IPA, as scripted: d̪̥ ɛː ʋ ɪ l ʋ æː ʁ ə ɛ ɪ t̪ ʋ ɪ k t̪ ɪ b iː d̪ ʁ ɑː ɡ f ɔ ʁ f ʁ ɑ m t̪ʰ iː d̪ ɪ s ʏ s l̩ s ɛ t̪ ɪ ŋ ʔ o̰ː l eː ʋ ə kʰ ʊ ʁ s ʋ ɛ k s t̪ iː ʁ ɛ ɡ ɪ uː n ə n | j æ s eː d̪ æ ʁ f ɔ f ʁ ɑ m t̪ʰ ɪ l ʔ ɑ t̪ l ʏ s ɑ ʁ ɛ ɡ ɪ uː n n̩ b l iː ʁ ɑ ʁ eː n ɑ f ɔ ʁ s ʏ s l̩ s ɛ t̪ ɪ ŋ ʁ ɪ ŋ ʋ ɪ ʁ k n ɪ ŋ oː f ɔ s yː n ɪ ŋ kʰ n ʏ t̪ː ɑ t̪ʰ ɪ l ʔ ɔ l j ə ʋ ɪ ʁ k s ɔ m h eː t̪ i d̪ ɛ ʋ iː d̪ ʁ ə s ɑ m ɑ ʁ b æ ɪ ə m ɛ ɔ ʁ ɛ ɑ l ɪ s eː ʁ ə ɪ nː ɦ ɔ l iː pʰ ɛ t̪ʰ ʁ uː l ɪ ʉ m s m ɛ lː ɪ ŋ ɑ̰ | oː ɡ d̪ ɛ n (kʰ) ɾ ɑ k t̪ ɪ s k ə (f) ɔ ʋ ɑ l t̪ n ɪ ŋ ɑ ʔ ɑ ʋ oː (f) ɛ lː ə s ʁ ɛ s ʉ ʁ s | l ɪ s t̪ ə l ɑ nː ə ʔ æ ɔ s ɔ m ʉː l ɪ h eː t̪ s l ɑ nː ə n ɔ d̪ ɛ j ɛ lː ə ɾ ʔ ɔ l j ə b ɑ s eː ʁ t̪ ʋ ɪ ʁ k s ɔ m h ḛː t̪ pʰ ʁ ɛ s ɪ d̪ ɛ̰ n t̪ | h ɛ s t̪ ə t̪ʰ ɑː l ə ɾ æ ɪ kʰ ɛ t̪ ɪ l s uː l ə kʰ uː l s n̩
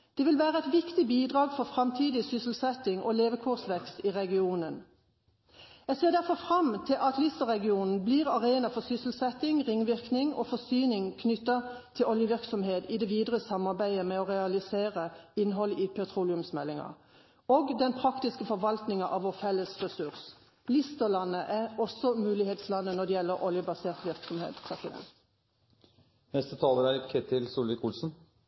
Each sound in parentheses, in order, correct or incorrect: incorrect, correct, correct

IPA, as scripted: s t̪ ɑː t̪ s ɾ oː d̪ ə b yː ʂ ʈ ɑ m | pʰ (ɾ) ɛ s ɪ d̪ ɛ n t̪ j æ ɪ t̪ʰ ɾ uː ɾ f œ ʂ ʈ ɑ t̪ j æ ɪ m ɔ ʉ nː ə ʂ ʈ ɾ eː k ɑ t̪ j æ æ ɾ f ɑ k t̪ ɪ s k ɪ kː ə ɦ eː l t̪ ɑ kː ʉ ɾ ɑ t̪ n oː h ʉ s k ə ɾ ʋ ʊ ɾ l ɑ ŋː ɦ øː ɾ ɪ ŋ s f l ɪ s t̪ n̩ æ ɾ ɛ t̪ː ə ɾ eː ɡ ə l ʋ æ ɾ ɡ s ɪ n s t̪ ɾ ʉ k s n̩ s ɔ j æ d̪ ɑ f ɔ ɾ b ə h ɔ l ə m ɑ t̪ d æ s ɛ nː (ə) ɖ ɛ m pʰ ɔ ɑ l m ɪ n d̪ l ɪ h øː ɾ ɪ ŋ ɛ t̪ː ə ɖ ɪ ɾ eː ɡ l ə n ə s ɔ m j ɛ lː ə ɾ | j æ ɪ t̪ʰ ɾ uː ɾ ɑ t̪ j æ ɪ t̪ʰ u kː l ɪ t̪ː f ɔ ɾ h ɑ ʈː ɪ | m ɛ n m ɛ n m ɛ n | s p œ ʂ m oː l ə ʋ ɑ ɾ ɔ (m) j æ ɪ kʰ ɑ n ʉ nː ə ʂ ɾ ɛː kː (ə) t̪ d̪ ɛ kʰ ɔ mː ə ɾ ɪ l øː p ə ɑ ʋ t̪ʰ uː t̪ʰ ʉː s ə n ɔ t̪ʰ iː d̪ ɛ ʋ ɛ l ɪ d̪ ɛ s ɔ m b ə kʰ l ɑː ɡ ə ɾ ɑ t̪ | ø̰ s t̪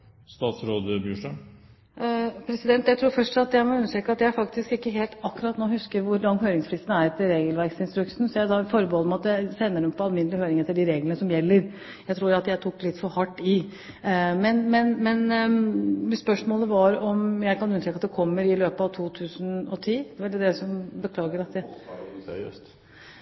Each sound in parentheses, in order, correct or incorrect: correct, correct, correct, incorrect

